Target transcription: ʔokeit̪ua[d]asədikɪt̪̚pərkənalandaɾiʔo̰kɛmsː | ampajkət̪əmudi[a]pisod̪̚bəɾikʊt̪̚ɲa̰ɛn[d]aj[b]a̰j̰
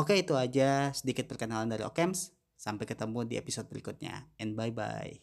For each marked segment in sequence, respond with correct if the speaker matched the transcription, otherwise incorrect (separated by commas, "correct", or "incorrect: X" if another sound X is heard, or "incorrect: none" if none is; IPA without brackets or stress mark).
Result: incorrect: d͡ʒ, incorrect: e, incorrect: b, correct